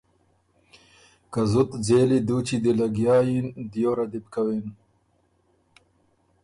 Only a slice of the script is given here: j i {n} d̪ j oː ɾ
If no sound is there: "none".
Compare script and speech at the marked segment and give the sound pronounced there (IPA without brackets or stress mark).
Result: n